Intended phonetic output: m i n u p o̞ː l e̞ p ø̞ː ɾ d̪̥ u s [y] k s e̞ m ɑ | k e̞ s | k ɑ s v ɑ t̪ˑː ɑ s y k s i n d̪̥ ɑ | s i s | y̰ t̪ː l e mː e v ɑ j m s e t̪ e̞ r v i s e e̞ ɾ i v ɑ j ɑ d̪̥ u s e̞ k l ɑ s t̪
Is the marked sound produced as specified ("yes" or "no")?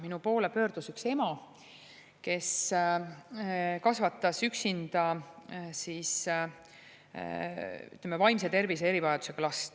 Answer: yes